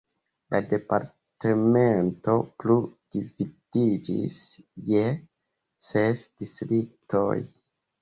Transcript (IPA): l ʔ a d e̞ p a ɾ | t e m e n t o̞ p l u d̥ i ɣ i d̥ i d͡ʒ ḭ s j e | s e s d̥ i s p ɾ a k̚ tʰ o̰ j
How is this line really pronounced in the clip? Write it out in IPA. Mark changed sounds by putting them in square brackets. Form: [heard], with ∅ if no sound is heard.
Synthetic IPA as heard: l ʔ a d e̞ p a ɾ | t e m e n t o̞ p l u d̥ i [v] i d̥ i d͡ʒ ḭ s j e | s e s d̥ i s [t] ɾ [i] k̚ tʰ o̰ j